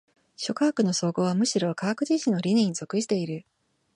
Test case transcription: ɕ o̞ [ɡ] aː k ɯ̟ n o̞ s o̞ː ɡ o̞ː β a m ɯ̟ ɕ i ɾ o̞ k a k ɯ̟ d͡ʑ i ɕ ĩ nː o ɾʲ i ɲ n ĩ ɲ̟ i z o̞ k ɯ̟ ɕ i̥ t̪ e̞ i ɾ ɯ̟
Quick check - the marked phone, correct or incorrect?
incorrect